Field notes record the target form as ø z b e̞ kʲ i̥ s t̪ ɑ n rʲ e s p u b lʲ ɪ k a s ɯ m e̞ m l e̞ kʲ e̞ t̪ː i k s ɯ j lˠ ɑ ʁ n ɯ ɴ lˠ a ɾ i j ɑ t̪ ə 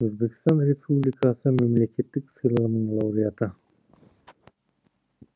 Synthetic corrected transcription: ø z b e̞ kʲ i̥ s t̪ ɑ n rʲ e s p u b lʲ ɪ k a s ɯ m e̞ m l e̞ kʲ e̞ t̪ː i k s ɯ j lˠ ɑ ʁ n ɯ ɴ lˠ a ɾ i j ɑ t̪ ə